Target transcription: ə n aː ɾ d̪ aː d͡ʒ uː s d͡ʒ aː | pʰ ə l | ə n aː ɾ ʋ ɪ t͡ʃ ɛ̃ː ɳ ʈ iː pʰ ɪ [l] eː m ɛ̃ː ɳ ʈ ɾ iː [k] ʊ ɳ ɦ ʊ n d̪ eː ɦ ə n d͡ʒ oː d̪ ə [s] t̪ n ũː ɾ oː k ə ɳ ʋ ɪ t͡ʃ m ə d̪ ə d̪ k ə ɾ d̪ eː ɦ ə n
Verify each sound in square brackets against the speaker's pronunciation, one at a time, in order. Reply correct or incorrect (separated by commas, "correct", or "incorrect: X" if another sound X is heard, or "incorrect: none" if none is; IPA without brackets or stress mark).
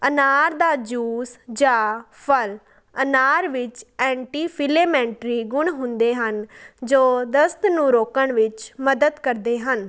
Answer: correct, incorrect: ɡ, correct